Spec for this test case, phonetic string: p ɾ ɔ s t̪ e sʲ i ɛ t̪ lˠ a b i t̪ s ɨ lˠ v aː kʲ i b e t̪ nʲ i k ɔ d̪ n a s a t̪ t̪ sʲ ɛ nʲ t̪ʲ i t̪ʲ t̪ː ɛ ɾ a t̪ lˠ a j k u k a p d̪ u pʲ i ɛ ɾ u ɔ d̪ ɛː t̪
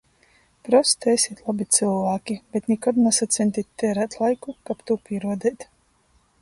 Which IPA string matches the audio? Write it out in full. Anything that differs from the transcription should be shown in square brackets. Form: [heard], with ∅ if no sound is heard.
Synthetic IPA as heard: p ɾ ɔ s t̪ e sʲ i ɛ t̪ lˠ a b i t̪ s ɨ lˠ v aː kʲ i b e t̪ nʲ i k ɔ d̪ n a s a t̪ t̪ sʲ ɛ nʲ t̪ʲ i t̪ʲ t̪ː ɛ ɾ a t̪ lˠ a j k u k a p [t̪] u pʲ i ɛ ɾ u ɔ d̪ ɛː t̪